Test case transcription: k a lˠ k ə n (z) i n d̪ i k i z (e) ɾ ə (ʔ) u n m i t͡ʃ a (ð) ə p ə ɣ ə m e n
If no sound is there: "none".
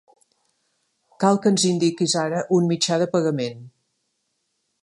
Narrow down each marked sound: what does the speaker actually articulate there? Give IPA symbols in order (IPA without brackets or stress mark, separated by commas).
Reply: z, a, ʔ, ð